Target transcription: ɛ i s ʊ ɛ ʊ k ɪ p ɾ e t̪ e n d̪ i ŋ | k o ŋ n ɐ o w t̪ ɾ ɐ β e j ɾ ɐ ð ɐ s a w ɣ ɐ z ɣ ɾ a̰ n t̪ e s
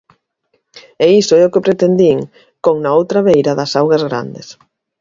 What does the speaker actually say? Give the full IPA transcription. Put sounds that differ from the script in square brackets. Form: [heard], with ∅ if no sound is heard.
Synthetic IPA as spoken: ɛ i s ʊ ɛ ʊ k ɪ p ɾ e t̪ e n d̪ i ŋ | k o ŋ n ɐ o w t̪ ɾ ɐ β e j ɾ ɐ ð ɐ s a w ɣ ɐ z ɣ ɾ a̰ n [d̪] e s